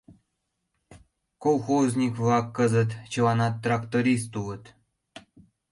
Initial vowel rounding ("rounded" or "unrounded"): rounded